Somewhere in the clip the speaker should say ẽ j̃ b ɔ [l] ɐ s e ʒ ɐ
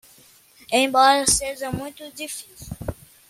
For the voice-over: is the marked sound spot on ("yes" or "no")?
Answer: no